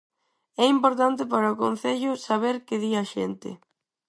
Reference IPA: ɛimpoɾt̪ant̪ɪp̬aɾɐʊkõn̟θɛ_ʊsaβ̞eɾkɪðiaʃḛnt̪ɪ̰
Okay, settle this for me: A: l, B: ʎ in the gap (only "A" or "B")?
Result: B